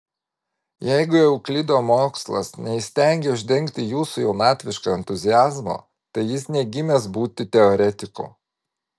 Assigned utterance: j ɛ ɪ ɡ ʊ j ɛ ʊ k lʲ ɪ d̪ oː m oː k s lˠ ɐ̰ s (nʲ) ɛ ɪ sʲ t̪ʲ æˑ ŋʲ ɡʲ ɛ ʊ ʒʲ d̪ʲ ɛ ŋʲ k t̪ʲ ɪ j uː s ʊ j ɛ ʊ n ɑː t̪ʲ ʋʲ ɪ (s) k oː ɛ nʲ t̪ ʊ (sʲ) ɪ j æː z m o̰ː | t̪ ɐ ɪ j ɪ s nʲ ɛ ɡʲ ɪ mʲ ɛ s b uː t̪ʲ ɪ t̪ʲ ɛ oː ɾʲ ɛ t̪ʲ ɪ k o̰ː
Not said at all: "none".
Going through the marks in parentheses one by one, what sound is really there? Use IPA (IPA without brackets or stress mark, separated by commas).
nʲ, ʃ, zʲ